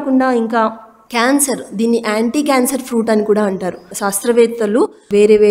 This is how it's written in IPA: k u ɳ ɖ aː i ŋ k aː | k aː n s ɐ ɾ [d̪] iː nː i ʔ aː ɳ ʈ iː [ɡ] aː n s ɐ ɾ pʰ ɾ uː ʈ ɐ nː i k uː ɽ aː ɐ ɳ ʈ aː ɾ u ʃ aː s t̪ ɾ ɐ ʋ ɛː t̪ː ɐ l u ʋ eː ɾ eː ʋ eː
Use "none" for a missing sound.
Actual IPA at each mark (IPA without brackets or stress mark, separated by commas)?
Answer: d̪, k